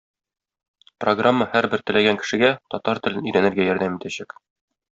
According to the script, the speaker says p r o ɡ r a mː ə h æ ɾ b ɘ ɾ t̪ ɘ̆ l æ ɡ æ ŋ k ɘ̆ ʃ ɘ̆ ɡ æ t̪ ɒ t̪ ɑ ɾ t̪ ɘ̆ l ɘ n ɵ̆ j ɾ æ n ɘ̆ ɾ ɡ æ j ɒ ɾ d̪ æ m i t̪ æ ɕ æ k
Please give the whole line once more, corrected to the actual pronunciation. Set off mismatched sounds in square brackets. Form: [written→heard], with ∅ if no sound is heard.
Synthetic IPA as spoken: p r o ɡ r a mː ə h æ ɾ b ɘ ɾ t̪ ɘ̆ l æ ɡ æ ŋ k ɘ̆ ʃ ɘ̆ ɡ æ t̪ ɒ t̪ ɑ ɾ t̪ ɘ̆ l ɘ n ɵ̆ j ɾ æ n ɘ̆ ɾ ɡ æ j ɒ ɾ d̪ æ m i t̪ æ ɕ æ k